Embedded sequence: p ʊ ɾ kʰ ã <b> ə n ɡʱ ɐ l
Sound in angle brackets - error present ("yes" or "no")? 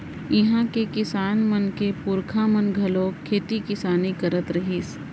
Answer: yes